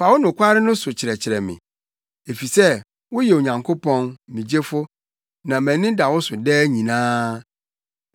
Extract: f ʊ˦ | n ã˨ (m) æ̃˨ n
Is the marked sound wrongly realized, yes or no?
no